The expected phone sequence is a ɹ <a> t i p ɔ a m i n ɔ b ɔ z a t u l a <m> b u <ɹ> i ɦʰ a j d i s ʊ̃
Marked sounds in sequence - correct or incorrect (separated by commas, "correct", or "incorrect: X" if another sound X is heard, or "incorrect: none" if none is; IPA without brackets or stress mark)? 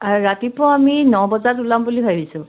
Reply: correct, correct, incorrect: l